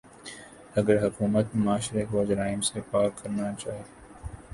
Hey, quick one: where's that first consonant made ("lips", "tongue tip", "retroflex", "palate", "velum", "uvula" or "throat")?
velum